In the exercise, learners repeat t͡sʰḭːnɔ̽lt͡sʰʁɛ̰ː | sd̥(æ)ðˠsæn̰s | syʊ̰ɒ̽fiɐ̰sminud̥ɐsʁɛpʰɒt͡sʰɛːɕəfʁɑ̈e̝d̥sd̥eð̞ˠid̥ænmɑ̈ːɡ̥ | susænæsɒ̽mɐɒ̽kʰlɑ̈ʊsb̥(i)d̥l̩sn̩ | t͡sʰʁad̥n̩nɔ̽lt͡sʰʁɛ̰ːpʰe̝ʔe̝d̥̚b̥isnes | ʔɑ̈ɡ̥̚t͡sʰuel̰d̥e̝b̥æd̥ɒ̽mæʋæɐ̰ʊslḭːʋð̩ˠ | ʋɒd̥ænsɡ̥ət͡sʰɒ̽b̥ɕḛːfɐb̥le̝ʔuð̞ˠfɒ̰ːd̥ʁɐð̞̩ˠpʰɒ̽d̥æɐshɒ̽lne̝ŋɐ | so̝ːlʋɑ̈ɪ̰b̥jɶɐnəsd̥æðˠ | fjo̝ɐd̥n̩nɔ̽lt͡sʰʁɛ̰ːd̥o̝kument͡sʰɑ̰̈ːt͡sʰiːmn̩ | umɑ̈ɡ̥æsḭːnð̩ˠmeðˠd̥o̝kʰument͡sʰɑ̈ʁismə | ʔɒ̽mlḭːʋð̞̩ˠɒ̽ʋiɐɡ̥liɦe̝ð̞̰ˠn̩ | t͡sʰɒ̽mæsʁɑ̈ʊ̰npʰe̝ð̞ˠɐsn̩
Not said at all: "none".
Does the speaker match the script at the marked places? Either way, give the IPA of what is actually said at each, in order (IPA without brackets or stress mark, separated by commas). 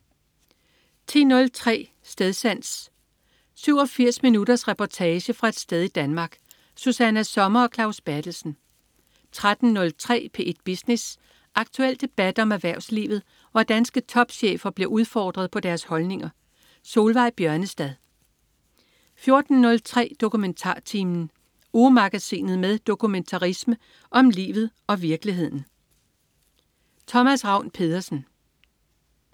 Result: e, æ